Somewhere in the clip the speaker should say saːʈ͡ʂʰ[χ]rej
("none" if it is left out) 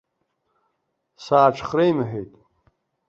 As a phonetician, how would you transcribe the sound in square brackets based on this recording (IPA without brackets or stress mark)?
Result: χ